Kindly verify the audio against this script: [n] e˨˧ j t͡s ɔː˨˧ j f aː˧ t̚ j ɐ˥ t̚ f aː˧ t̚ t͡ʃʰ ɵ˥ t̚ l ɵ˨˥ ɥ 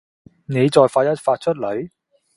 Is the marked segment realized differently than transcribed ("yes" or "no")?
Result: no